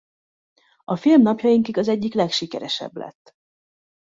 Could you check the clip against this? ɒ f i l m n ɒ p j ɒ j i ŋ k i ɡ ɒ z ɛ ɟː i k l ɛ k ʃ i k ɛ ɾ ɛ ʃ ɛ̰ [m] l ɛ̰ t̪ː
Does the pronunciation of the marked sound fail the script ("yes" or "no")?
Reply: yes